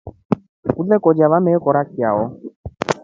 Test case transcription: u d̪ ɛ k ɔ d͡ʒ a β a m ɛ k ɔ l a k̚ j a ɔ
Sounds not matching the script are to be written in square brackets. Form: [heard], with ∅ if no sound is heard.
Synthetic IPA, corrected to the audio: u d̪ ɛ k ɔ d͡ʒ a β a m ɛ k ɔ [ɾ] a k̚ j a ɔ